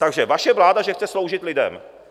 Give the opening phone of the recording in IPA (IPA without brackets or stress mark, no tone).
t̪